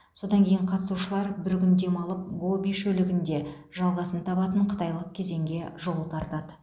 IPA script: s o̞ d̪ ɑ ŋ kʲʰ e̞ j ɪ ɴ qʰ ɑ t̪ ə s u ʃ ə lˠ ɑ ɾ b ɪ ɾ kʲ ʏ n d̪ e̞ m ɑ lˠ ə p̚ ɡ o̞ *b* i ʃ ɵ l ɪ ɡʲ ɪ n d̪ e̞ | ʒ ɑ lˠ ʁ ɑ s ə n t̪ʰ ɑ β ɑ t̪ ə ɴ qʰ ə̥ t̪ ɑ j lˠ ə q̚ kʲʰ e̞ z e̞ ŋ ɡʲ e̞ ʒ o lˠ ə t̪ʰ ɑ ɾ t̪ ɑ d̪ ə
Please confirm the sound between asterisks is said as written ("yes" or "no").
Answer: yes